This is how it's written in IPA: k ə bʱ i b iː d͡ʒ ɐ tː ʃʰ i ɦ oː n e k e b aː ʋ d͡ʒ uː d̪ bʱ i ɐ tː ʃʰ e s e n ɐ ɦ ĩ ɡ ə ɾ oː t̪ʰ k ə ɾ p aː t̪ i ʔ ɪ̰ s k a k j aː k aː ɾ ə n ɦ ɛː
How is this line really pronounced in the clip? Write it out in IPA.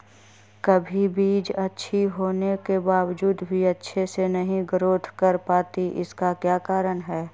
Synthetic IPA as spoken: k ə bʱ i b iː d͡ʒ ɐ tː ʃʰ i ɦ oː n e k e b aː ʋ d͡ʒ uː d̪ bʱ i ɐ tː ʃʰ e s e n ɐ ɦ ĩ ɡ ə ɾ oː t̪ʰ k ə ɾ p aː t̪ i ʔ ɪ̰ s k a k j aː k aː ɾ ə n ɦ ɛː

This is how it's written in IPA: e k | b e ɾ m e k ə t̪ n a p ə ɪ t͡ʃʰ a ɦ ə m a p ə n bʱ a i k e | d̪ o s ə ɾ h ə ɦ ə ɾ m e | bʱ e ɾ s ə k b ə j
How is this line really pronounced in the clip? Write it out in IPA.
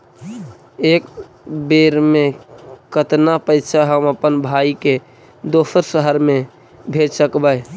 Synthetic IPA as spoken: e k | b e ɾ m e k ə t̪ n a p ə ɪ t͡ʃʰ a ɦ ə m ə p ə n bʱ a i k e | d̪ o s ə ɾ s ə ɦ ə ɾ m e | bʱ e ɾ s ə k b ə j

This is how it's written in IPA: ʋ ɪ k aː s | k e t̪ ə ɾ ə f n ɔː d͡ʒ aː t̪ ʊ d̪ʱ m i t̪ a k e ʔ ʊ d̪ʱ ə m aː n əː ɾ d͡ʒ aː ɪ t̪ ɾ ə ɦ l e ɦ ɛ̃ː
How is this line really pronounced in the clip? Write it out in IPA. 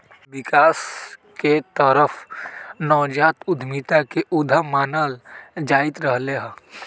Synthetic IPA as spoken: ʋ ɪ k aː s | k e t̪ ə ɾ ə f n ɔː d͡ʒ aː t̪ ʊ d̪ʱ m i t̪ a k e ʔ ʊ d̪ʱ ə m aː n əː l d͡ʒ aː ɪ t̪ ɾ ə ɦ l e ɦ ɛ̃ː

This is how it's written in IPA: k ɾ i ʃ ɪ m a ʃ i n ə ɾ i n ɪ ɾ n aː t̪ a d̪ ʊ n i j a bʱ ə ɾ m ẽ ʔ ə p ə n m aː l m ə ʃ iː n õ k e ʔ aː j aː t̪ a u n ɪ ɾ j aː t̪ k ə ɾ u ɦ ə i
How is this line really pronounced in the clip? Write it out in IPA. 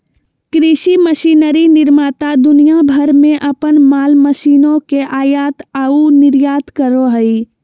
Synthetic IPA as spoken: k ɾ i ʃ i m ə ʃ i n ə ɾ i n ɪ ɾ m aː t̪ a d̪ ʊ n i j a bʱ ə ɾ m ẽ ʔ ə p ə n m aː l m ə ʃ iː n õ k e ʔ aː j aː t̪ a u n ɪ ɾ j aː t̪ k ə ɾ o ɦ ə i

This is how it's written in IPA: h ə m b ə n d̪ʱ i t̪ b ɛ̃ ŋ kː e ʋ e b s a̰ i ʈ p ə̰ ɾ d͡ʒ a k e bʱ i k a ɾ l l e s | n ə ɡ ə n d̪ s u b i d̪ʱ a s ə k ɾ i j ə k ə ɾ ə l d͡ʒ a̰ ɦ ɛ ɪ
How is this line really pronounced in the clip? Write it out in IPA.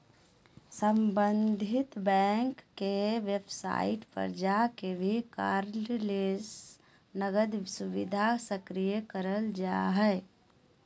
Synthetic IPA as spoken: s ə m b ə n d̪ʱ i t̪ b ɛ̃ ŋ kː e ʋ e b s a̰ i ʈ p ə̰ ɾ d͡ʒ a k e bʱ i k a ɾ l l e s | n ə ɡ ə d̪ s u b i d̪ʱ a s ə k ɾ i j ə k ə ɾ ə l d͡ʒ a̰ ɦ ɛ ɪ

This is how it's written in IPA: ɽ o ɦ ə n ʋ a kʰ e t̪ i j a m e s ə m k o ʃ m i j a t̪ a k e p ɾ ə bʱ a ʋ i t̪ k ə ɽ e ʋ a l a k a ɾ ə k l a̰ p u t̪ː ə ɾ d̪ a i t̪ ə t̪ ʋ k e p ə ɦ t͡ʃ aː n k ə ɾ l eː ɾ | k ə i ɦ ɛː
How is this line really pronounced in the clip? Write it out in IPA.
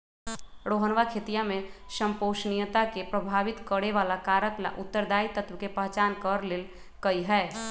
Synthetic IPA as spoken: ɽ o ɦ ə n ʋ a kʰ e t̪ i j a m e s ə m p o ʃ n i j ə t̪ a k e p ɾ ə bʱ a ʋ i t̪ k ə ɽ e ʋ a l a k a ɾ ə k l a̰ ʔ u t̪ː ə ɾ d̪ a i t̪ ə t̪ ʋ k e p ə ɦ t͡ʃ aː n k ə ɾ l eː l | k ə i ɦ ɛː

